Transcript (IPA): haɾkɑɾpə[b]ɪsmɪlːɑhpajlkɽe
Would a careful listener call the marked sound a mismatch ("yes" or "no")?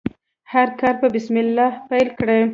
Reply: no